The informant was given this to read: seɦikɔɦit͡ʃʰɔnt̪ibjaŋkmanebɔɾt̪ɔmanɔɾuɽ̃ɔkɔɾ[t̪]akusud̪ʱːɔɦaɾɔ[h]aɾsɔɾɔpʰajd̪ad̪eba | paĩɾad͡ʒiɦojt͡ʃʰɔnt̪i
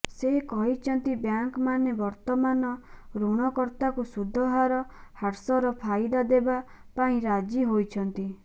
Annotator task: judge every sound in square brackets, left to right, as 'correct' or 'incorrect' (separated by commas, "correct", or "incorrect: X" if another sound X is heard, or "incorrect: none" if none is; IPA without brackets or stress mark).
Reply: correct, correct